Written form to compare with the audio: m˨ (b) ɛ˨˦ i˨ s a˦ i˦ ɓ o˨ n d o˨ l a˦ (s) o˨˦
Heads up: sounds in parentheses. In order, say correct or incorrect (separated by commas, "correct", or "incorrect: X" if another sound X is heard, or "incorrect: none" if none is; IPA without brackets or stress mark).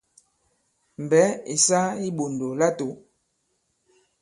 correct, incorrect: t